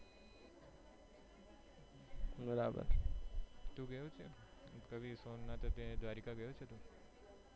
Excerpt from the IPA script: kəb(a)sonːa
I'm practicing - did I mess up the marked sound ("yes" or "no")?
yes